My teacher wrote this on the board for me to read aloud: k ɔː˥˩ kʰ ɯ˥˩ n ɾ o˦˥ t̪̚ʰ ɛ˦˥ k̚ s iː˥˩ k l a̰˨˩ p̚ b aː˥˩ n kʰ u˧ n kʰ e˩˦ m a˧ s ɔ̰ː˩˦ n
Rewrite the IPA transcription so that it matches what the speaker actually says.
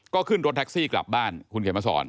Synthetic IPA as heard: k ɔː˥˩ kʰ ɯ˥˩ n ɾ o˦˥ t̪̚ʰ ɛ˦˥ k̚ s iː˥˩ k l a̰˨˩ p̚ b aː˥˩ n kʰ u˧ n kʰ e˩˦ m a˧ s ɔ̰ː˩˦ n